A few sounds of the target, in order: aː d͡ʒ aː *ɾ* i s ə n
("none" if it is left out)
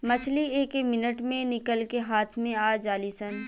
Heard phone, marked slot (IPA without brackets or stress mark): l